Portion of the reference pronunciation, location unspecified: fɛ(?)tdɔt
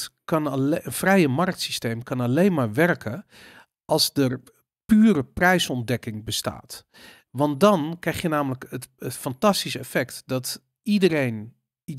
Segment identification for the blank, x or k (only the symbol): k